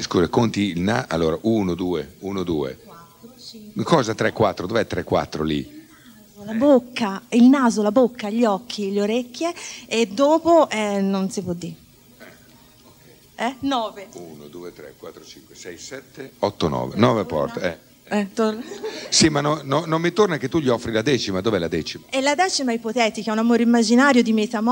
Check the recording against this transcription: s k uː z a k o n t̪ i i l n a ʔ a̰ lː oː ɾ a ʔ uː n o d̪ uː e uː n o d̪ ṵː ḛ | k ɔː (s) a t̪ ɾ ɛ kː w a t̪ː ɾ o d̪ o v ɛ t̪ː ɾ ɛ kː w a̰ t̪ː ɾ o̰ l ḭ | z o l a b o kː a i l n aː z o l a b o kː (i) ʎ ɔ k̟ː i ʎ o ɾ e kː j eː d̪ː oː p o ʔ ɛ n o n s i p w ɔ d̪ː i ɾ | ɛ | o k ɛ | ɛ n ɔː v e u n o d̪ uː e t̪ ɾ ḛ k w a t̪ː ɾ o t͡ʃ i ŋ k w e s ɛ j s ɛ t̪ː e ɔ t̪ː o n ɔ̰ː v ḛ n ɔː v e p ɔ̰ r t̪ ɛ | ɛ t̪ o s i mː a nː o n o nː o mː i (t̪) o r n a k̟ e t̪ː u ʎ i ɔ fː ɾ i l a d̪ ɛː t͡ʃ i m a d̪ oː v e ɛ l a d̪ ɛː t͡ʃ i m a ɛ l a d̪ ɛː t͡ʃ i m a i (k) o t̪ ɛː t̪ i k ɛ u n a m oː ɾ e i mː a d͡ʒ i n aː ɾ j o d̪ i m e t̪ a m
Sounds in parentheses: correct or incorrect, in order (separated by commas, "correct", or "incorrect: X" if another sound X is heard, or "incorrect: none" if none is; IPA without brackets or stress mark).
incorrect: z, incorrect: a, correct, incorrect: p